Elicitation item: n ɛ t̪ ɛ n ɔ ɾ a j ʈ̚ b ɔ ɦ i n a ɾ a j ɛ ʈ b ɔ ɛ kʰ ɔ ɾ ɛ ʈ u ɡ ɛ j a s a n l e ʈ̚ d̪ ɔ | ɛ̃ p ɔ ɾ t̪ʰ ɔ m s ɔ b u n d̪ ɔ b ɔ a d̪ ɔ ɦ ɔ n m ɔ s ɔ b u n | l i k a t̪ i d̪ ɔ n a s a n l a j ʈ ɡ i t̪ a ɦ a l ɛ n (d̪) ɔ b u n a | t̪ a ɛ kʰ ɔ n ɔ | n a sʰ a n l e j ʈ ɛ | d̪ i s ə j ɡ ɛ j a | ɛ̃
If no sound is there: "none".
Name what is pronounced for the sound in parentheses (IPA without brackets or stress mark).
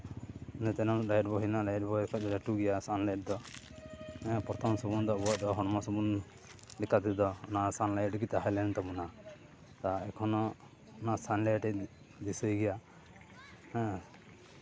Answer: t̪